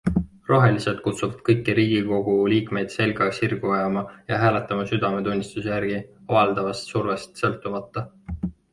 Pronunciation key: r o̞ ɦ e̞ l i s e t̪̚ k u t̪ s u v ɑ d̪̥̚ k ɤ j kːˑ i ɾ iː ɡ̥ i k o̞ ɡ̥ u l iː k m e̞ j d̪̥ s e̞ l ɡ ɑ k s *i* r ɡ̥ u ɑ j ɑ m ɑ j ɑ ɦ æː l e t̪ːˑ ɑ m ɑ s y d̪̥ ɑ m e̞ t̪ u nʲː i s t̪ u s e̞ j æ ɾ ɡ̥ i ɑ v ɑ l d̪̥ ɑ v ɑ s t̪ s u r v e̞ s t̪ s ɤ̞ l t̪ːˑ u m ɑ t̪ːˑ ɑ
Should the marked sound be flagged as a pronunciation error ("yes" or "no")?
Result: no